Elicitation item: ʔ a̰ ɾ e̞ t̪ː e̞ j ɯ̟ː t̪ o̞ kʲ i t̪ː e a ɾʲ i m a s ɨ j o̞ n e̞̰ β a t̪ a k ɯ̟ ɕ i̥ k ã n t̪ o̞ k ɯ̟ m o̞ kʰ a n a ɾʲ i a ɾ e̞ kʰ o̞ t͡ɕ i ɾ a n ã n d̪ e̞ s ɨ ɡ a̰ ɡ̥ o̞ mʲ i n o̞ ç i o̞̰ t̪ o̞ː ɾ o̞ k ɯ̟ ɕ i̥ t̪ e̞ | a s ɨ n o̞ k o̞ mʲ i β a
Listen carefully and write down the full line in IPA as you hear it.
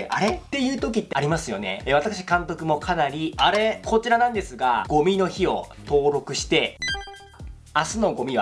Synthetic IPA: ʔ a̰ ɾ e̞ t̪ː e̞ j ɯ̟ː t̪ o̞ kʲ i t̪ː e a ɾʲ i m a s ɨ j o̞ n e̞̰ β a t̪ a k ɯ̟ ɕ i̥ k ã n t̪ o̞ k ɯ̟ m o̞ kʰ a n a ɾʲ i a ɾ e̞ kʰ o̞ t͡ɕ i ɾ a n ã n d̪ e̞ s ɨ ɡ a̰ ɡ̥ o̞ mʲ i n o̞ ç i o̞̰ t̪ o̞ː ɾ o̞ k ɯ̟ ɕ i̥ t̪ e̞ | a s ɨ n o̞ ɡ o̞ mʲ i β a